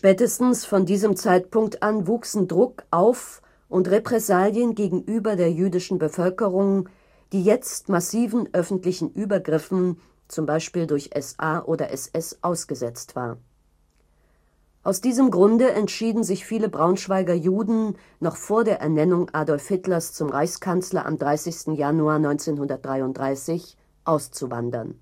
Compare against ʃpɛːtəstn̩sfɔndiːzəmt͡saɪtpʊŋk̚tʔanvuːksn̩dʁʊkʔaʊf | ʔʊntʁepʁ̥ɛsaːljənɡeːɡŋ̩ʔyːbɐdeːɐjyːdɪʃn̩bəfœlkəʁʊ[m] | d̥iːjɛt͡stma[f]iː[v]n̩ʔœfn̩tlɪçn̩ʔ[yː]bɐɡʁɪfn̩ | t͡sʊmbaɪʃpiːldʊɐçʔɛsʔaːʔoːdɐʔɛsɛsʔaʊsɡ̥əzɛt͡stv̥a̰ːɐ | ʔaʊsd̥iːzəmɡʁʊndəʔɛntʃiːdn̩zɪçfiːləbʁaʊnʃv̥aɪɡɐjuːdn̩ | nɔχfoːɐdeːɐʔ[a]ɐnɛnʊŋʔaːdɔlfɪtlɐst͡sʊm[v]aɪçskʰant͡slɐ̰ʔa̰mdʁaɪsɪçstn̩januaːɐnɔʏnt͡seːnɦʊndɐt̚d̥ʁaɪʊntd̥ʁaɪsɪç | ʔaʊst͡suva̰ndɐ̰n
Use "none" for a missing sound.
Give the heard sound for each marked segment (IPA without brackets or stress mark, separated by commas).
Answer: ŋ, s, v, yː, ɛ, ʁ